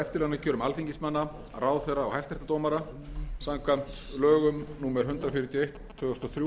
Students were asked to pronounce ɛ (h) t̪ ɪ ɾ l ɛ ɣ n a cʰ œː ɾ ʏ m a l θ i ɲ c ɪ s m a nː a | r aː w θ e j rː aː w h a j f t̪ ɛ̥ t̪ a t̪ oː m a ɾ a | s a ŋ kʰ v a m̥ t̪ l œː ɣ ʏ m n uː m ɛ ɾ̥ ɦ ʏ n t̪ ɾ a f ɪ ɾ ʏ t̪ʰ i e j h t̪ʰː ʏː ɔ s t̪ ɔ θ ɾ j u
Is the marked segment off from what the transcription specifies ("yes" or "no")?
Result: yes